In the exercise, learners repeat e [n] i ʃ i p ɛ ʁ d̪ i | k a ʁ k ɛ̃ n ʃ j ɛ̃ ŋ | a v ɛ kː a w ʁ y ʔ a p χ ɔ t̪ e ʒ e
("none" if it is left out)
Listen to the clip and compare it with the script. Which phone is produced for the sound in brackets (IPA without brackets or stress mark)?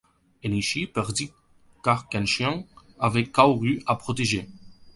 n